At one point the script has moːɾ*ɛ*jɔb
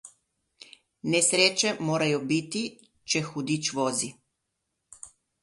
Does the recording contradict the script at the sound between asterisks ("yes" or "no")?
yes